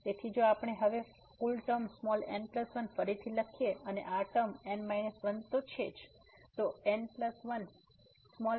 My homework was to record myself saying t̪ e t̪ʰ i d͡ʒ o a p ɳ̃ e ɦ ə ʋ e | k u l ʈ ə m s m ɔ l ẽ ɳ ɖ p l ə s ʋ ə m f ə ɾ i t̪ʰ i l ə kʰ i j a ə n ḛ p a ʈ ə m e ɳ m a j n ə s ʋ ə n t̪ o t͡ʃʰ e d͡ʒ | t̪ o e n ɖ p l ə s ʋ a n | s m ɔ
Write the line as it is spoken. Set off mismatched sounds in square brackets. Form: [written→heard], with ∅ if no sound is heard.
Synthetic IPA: t̪ e t̪ʰ i d͡ʒ o a p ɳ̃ e ɦ ə ʋ e | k u l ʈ ə m s m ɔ l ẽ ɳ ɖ p l ə s ʋ ə [m→n] f ə ɾ i t̪ʰ i l ə kʰ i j [a→e] ə n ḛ [p→ʔ] a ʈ ə m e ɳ m a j n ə s ʋ ə n t̪ o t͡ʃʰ e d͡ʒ | t̪ o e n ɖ p l ə s ʋ [a→ə] n | s m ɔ

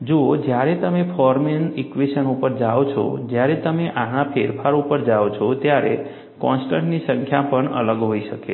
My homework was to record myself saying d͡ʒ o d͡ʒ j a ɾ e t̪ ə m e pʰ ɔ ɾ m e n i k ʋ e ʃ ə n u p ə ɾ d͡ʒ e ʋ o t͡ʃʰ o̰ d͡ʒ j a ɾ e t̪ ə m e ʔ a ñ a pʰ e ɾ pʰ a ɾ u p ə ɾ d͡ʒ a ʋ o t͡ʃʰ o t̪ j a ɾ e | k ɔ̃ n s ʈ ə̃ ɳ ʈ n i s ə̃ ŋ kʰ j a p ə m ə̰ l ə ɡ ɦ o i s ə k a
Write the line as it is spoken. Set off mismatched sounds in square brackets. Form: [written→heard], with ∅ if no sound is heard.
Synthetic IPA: d͡ʒ o d͡ʒ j a ɾ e t̪ ə m e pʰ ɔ ɾ m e n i k ʋ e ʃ ə n u p ə ɾ d͡ʒ [e→a] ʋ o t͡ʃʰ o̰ d͡ʒ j a ɾ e t̪ ə m e ʔ a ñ a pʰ e ɾ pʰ a ɾ u p ə ɾ d͡ʒ a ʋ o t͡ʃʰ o t̪ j a ɾ e | k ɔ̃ n s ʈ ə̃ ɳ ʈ n i s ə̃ ŋ kʰ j a p ə [m→ɳ] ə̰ l ə ɡ ɦ o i [s→ʃ] ə k [a→e]

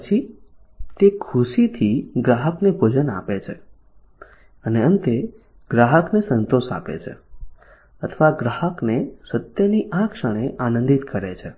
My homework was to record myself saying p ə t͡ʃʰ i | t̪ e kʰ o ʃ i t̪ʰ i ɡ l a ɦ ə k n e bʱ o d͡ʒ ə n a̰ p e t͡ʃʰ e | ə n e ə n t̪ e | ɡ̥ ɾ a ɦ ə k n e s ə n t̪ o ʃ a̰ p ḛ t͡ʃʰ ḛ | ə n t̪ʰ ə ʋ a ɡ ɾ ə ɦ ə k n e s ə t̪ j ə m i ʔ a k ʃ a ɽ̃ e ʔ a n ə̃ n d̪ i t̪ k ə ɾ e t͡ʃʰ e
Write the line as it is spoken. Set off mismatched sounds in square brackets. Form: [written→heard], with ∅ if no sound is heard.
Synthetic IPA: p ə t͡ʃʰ i | t̪ e kʰ [o→u] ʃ i t̪ʰ i ɡ [l→ɾ] a ɦ ə k n e bʱ o d͡ʒ ə n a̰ p e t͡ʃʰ e | ə n e ə n t̪ e | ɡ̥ ɾ a ɦ ə k n e s ə n t̪ o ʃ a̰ p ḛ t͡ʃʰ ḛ | ə [n→∅] t̪ʰ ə ʋ a ɡ ɾ [ə→a] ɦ ə k n e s ə t̪ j ə [m→n] i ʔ a k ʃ [a→ə] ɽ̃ e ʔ a n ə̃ n d̪ i t̪ k ə ɾ e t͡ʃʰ e

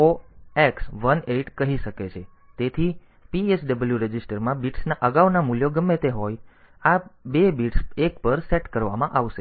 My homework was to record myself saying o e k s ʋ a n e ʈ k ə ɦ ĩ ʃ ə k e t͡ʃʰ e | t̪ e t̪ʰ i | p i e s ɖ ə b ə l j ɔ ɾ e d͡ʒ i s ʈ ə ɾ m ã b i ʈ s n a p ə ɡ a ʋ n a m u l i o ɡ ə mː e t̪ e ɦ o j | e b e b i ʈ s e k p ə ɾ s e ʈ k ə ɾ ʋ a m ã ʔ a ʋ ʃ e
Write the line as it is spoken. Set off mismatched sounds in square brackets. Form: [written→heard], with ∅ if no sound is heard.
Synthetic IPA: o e k s ʋ [a→ə] n e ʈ k ə ɦ [ĩ→i] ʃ ə k e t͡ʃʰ e | t̪ e t̪ʰ i | p i e s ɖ ə b ə l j [ɔ→u] ɾ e d͡ʒ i s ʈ ə ɾ m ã b i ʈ s n a [p→ʔ] ə ɡ a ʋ n a m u l [i→j] o ɡ ə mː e t̪ e ɦ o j | [e→a] b e b i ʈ s e k p ə ɾ s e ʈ k ə ɾ ʋ a m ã ʔ a ʋ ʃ e

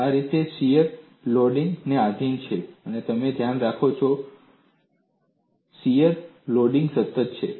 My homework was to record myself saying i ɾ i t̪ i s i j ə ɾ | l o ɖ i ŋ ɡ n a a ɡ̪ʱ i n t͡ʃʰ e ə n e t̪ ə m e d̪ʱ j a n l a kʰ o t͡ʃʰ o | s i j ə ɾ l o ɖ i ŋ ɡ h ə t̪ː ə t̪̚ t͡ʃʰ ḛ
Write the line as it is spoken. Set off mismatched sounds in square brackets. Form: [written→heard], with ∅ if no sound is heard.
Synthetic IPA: [i→a] ɾ i t̪ [i→e] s i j ə ɾ | l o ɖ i ŋ ɡ n [a→e] a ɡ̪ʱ i n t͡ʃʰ e ə n e t̪ ə m e d̪ʱ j a n [l→ɾ] a kʰ o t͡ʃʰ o | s i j ə ɾ l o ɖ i ŋ ɡ [h→s] ə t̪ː ə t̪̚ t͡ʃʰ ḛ

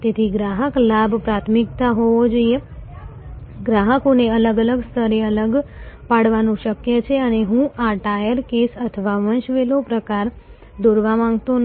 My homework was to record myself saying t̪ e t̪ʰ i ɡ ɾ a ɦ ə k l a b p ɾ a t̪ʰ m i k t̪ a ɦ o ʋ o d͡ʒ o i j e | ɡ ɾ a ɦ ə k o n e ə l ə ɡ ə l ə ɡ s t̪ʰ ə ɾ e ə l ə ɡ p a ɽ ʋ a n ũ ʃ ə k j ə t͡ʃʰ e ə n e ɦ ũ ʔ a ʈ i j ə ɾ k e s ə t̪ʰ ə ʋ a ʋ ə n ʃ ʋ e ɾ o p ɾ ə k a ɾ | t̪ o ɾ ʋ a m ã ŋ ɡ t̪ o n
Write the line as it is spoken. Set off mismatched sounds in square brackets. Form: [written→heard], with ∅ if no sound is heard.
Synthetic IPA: t̪ e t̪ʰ i ɡ ɾ a ɦ ə k l a b p ɾ a t̪ʰ m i k t̪ a ɦ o ʋ o d͡ʒ o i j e | ɡ ɾ a ɦ ə k o n e ə l ə ɡ ə l ə ɡ s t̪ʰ ə ɾ e ə l ə ɡ p a ɽ ʋ a n ũ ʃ ə k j ə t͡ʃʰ e ə n e ɦ ũ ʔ a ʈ [i→a] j ə ɾ k e s ə t̪ʰ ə ʋ a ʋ ə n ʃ ʋ e [ɾ→l] o p ɾ ə k a ɾ | [t̪→d̪] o ɾ ʋ a m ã ŋ ɡ t̪ o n

